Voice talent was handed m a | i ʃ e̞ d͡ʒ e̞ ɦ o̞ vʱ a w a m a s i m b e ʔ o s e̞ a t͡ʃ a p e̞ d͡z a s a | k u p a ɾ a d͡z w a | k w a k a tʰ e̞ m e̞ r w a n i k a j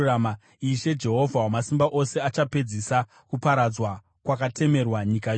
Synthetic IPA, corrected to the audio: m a | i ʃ e̞ d͡ʒ e̞ ɦ o̞ vʱ a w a m a s i m b a ʔ o s e̞ a t͡ʃ a p e̞ d͡z i s a | k u p a ɾ a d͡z w a | k w a k a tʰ e̞ m e̞ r w a ɲ i k a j